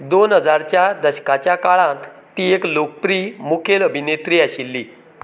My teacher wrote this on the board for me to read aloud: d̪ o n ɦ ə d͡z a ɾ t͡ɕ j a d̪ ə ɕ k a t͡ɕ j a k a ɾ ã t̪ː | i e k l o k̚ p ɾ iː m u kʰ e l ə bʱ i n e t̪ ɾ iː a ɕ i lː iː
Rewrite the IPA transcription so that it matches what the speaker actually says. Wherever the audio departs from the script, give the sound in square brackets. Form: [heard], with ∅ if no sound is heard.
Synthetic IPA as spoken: d̪ o n ɦ ə d͡z a ɾ t͡ɕ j a d̪ ə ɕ k a t͡ɕ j a k a [ɭ] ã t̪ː | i e k l o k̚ p ɾ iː m u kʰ e l ə bʱ i n e t̪ ɾ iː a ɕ i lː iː